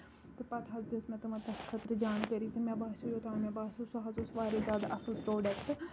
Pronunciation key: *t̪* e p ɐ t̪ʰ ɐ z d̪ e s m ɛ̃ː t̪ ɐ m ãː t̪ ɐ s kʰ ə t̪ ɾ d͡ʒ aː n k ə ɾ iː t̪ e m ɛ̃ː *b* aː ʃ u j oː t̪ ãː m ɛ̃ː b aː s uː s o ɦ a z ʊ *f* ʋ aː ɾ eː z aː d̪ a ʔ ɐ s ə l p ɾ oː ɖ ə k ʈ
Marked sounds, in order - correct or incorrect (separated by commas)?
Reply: correct, correct, incorrect